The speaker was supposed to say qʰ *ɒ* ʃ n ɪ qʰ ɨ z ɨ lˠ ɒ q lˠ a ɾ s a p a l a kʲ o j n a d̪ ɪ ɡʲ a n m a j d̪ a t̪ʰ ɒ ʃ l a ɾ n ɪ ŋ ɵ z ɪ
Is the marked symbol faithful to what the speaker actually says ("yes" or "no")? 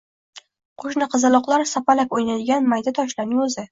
no